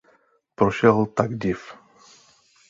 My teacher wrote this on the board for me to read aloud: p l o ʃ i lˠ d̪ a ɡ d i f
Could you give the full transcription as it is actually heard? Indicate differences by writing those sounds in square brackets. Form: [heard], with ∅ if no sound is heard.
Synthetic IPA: p [ɾ] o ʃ [ɛ] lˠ [t̪] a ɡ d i f